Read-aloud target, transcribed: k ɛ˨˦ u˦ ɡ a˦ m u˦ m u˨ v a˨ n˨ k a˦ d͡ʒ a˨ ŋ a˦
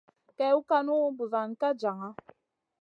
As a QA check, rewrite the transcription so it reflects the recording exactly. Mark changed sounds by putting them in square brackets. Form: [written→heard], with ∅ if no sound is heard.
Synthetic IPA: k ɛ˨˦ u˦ [ɡ→k] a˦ [m→n] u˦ [m→b] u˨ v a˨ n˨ k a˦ d͡ʒ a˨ ŋ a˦